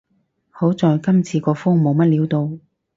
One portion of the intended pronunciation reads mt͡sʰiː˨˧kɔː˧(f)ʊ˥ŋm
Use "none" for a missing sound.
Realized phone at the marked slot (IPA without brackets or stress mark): f